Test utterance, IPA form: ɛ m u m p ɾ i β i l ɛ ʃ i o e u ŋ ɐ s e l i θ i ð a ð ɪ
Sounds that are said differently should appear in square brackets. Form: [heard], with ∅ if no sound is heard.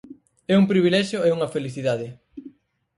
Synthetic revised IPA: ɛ [∅] u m p ɾ i β i l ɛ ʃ [j] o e u ŋ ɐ [f] e l i θ i ð a ð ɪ